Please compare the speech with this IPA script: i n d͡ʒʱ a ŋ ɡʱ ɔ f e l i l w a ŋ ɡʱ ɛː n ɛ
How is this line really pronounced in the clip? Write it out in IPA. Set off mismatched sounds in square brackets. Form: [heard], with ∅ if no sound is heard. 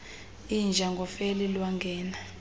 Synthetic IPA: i n d͡ʒʱ a ŋ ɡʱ ɔ f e l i l w a ŋ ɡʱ ɛː n [a]